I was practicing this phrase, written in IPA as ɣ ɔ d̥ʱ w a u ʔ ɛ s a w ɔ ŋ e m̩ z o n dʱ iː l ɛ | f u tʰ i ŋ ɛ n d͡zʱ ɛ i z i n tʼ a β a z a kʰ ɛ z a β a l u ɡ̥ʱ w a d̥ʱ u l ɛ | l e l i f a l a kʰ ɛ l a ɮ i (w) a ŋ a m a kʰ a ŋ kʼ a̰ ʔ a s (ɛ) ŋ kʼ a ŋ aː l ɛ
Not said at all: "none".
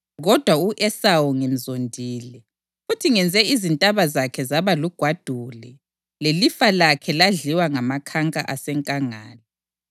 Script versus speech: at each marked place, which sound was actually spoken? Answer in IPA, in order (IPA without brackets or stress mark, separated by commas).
w, ɛ